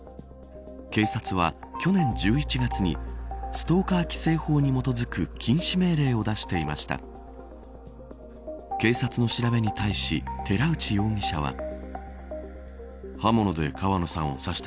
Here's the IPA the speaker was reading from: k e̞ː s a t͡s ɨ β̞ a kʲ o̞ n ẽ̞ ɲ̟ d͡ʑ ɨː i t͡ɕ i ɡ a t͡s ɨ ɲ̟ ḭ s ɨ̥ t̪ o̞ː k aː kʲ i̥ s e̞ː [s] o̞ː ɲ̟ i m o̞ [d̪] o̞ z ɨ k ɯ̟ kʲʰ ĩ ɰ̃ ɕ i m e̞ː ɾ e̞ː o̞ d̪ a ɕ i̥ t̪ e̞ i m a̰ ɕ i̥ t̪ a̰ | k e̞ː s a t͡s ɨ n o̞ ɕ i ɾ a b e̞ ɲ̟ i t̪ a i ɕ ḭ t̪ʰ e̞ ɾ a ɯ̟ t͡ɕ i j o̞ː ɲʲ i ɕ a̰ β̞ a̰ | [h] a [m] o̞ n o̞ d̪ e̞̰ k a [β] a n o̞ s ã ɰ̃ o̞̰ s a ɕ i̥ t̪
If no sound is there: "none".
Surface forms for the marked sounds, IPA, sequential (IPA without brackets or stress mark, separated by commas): h, t̪, h, m, β